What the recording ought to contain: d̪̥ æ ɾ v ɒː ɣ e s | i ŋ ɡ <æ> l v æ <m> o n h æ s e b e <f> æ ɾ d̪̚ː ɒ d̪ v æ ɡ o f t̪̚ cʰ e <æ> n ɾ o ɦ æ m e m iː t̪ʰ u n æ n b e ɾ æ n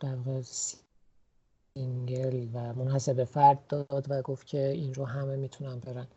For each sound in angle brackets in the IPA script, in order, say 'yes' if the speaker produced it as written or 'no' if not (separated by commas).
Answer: no, yes, yes, no